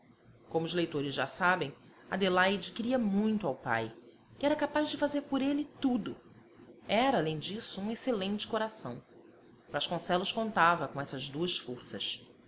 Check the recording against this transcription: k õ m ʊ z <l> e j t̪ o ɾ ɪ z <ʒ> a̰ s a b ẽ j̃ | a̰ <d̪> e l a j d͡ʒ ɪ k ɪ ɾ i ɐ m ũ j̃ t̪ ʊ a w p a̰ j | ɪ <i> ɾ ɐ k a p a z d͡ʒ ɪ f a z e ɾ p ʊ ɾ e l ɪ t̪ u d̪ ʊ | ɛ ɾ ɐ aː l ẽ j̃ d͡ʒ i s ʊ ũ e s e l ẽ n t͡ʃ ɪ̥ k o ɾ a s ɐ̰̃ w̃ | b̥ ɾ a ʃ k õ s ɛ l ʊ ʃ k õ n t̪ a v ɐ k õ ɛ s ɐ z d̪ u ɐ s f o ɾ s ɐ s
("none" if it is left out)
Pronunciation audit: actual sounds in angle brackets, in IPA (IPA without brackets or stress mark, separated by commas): l, ʒ, d̪, ɛ